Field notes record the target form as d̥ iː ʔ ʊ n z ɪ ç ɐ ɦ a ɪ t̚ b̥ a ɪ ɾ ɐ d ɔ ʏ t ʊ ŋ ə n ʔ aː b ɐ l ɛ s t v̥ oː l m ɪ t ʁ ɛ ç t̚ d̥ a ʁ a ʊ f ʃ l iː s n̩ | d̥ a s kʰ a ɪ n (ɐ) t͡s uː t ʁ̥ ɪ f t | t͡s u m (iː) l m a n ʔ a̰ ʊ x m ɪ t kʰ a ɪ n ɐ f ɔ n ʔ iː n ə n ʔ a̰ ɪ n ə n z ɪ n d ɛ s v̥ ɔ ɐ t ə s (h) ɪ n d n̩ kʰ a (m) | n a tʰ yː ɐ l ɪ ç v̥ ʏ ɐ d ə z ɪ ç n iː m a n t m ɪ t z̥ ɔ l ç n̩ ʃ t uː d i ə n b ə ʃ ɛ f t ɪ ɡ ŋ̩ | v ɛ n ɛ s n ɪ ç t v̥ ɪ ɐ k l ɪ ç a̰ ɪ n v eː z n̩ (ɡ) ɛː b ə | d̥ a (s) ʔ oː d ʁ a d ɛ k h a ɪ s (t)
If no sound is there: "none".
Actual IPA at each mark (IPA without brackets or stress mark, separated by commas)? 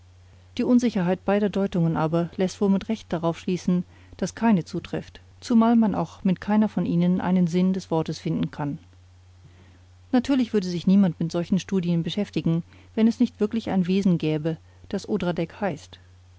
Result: ə, aː, f, n, ɡ, s, t